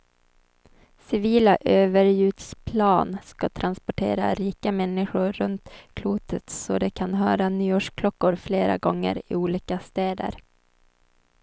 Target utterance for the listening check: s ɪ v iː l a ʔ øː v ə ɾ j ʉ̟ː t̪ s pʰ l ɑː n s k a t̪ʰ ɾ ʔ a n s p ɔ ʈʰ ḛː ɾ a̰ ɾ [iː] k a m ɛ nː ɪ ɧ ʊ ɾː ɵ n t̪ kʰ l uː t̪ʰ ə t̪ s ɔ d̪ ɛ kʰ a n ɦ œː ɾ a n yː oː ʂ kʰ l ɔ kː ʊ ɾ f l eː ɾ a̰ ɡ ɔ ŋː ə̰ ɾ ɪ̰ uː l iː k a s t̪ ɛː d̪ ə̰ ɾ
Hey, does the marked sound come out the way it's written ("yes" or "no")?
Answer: yes